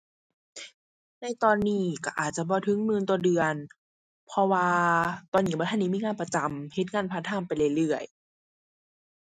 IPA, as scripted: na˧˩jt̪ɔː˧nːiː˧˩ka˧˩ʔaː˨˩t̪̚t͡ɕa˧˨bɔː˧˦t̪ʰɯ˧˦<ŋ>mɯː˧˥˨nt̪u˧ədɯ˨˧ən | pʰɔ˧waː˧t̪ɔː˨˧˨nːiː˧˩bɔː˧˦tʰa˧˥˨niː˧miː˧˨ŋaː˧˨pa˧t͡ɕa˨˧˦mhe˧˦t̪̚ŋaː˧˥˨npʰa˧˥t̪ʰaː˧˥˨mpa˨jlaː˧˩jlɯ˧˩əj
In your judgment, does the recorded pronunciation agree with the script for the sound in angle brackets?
yes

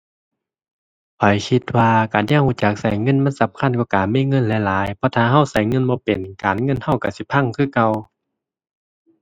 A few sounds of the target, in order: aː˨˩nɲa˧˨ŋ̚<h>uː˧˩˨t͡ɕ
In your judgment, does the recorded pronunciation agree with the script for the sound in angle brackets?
yes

